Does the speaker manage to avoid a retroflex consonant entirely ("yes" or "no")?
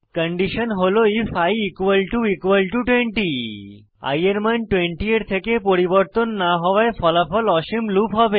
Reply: no